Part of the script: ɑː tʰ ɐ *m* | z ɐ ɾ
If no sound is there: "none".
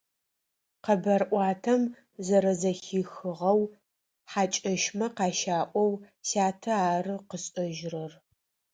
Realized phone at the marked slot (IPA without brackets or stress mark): m